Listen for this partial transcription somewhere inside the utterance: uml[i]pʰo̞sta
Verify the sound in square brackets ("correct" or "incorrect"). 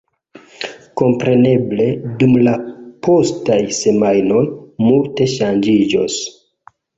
incorrect